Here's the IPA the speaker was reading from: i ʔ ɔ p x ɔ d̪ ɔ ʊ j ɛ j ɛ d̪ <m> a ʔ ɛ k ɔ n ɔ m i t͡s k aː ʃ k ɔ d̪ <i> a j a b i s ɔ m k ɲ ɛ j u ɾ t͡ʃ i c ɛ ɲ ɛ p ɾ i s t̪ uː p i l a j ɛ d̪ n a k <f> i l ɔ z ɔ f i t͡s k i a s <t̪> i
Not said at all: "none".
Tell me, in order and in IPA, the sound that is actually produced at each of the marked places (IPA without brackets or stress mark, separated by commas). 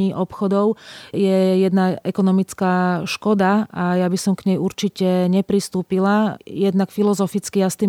n, a, f, t̪